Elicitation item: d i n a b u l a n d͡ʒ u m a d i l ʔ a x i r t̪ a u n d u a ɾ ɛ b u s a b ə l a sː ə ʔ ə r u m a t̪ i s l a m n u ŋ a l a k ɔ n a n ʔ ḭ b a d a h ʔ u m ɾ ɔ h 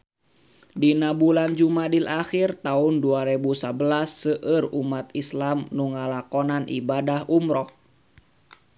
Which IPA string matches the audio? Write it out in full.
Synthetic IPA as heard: d i n a b u l a n d͡ʒ u m a d i l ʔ a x i r t̪ a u n d u a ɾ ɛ b u s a b ə l a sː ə ʔ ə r u m a t̪ i s l a m n u ŋ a l a k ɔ n a n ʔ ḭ b a d a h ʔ u m ɾ ɔ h